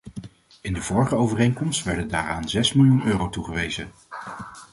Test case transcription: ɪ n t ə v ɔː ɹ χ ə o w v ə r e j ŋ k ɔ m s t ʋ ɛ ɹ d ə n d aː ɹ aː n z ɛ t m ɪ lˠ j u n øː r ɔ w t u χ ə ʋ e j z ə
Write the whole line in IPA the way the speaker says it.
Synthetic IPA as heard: ɪ n d ə v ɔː ɹ χ ə o w v ə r e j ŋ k ɔ m s t ʋ ɛ ɹ d ə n d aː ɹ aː n z ɛ s m ɪ lˠ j u n øː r o w t u χ ə ʋ e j z ə